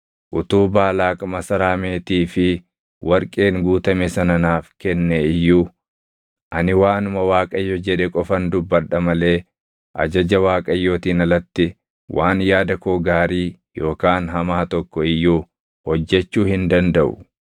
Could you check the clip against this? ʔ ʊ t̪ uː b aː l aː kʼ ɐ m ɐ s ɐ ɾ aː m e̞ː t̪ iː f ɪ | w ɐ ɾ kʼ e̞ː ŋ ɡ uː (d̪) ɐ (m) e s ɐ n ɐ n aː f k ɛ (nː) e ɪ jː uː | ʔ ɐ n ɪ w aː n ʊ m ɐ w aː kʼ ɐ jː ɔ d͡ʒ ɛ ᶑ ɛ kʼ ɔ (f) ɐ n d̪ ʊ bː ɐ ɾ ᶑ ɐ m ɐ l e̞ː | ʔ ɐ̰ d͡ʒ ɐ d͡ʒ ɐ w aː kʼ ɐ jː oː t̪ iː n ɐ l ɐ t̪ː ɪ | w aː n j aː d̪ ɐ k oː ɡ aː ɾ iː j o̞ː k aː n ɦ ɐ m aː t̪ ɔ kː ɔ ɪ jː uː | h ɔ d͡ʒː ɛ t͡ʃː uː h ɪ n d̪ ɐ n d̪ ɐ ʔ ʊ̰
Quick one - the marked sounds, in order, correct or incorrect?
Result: incorrect, correct, correct, correct

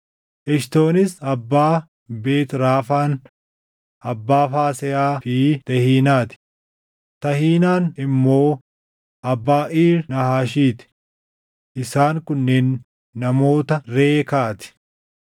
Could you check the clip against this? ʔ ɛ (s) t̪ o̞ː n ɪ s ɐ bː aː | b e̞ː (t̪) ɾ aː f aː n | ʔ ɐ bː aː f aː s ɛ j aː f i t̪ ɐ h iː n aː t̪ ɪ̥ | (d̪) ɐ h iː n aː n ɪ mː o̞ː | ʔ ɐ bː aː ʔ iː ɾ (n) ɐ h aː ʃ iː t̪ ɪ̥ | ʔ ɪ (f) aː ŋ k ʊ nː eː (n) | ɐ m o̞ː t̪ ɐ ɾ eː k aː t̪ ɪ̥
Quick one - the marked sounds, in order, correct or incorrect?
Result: incorrect, correct, incorrect, correct, incorrect, incorrect

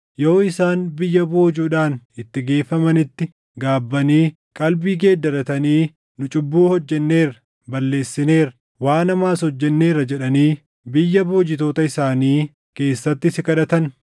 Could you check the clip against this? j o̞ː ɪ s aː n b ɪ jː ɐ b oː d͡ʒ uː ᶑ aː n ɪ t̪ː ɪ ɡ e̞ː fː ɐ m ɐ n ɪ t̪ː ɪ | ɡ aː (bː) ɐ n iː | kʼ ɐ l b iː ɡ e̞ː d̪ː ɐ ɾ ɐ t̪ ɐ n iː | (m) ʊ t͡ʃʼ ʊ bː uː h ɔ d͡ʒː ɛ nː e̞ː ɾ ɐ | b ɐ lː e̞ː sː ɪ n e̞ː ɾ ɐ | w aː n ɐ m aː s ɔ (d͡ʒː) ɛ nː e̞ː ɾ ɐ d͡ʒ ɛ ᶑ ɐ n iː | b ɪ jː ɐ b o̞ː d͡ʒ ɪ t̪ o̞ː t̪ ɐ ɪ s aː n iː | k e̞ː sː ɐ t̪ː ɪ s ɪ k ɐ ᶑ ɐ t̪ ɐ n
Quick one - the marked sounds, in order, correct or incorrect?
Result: correct, incorrect, correct

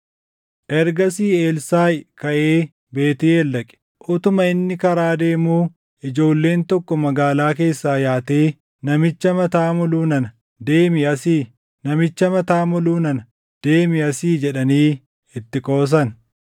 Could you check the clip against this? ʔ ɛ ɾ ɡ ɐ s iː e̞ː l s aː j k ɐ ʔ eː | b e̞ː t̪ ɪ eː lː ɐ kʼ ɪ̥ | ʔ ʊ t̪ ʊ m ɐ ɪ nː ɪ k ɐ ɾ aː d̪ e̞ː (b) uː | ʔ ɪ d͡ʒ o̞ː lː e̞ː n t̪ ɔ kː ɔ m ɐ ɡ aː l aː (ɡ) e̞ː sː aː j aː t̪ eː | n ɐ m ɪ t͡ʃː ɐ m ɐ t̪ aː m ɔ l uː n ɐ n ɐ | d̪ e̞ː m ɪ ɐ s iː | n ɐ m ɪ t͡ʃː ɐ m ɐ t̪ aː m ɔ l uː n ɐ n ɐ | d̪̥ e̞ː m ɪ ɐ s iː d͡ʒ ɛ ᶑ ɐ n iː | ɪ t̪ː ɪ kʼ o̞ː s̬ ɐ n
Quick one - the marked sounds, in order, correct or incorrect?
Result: incorrect, incorrect

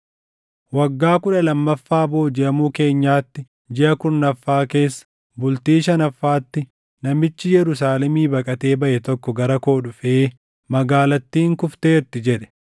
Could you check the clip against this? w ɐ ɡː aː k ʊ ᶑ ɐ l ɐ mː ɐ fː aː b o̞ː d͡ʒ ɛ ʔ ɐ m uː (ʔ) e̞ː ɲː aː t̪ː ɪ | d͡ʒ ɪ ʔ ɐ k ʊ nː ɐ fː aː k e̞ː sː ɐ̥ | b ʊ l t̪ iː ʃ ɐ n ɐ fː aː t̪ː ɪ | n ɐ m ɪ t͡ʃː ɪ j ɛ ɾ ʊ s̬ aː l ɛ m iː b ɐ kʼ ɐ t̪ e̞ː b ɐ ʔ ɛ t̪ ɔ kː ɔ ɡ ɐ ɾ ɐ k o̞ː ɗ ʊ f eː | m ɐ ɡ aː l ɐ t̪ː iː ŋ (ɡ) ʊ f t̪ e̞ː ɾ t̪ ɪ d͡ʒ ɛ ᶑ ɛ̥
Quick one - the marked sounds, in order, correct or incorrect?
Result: incorrect, incorrect

